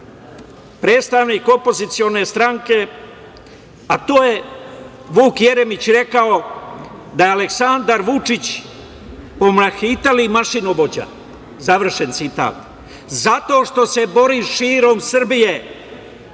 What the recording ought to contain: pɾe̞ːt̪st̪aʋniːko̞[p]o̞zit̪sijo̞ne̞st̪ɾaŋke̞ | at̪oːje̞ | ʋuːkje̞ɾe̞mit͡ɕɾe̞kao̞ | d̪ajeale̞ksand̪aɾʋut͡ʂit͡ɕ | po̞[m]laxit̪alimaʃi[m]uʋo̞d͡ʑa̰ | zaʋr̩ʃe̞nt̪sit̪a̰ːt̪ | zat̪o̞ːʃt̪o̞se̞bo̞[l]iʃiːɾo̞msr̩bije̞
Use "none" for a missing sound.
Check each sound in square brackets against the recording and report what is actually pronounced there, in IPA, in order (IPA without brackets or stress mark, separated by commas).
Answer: p, m, n, ɾ